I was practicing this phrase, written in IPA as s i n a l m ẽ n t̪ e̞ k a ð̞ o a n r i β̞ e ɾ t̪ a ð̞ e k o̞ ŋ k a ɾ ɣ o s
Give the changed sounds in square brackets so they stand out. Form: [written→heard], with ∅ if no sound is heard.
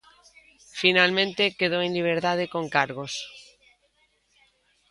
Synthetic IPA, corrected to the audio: [s→f] i n a l m ẽ n t̪ e̞ k [a→e] ð̞ o [a→e] n [r→l] i β̞ e ɾ t̪ a ð̞ e k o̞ ŋ k a ɾ ɣ o s